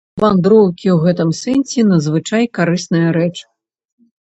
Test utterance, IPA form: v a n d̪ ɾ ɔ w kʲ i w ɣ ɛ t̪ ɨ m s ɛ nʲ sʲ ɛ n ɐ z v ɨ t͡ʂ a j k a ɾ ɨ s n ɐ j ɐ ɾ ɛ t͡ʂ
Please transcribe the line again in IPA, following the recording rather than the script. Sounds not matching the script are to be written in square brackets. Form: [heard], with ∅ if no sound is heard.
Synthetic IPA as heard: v a n d̪ ɾ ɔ w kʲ i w ɣ ɛ t̪ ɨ m s ɛ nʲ sʲ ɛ n ɐ z v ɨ t͡ʂ a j k a ɾ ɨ s n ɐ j ɐ ɾ ɛ t͡ʂ